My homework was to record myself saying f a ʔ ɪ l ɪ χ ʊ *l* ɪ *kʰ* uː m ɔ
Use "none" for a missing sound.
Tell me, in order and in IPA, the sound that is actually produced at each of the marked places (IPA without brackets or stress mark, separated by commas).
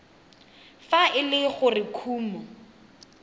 r, kʰ